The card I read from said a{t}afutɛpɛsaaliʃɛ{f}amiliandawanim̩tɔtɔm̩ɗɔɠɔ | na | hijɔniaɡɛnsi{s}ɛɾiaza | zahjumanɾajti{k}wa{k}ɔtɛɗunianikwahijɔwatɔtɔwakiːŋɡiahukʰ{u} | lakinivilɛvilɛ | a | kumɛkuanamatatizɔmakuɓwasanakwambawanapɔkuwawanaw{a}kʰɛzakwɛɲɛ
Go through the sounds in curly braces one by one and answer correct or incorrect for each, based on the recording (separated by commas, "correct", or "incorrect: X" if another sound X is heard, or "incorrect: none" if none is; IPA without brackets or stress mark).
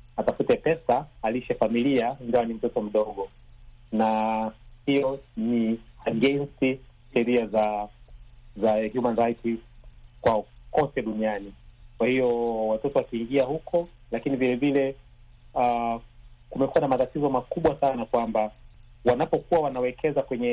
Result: correct, correct, incorrect: ʃ, correct, correct, incorrect: ɔ, incorrect: ɛ